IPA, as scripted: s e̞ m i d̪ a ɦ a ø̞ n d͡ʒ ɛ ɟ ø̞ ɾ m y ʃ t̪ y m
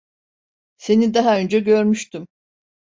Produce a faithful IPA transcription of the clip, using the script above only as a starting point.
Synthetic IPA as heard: s e̞ n i d̪ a ɦ a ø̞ n d͡ʒ ɛ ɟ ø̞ ɾ m y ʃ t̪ y m